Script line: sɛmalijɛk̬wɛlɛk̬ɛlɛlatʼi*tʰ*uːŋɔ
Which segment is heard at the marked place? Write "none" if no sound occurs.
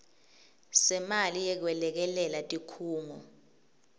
kʰ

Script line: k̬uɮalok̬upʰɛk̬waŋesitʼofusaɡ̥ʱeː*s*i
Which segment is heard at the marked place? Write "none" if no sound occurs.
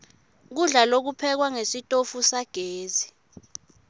z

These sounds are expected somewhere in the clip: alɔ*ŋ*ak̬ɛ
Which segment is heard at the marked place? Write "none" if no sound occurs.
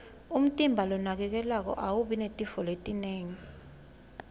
n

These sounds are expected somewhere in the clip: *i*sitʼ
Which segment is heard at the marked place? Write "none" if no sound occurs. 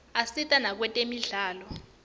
a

